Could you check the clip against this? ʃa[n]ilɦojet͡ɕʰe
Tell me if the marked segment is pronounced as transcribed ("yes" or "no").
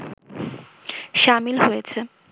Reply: no